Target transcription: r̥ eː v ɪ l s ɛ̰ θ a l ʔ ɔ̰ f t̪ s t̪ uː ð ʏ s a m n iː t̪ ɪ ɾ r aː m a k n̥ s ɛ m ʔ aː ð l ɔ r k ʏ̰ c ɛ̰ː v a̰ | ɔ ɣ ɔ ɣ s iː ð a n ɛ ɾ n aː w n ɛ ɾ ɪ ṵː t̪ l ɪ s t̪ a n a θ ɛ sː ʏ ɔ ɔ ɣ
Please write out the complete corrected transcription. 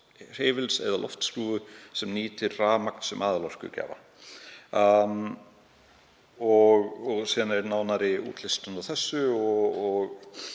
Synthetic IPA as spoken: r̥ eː v ɪ l s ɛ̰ ð a l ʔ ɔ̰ f t̪ s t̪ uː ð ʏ s ɛ m n iː t̪ ɪ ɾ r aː m a k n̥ s ɛ m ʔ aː ð l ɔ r k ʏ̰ c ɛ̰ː v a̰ | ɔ ɣ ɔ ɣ s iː ð a n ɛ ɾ n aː w n a ɾ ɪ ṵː t̪ l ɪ s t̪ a n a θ ɛ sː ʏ ɔ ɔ ɣ